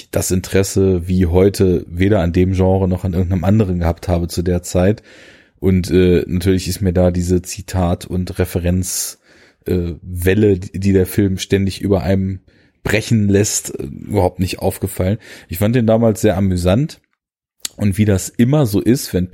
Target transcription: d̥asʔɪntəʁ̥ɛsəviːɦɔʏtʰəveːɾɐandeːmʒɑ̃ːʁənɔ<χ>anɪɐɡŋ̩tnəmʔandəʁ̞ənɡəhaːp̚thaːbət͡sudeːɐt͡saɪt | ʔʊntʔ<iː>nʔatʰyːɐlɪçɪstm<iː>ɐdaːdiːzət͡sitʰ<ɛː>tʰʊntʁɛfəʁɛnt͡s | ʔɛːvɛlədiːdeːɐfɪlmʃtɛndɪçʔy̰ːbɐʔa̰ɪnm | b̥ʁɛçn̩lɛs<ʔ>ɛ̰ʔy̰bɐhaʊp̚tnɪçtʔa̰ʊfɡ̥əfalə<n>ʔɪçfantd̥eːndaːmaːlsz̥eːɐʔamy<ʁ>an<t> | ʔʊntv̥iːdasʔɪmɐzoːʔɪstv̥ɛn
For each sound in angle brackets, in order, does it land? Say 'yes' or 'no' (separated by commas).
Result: yes, no, yes, no, no, yes, no, yes